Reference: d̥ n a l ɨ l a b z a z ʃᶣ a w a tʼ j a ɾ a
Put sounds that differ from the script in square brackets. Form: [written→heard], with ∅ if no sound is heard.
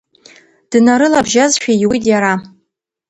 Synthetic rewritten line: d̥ n a [l→ɾ] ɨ l a b [z→ʒ] a z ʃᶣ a w [a→i] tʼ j a ɾ a